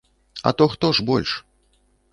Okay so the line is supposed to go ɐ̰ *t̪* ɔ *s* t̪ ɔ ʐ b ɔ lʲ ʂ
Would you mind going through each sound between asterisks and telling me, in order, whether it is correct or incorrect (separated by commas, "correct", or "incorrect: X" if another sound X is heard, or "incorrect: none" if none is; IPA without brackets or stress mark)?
correct, incorrect: x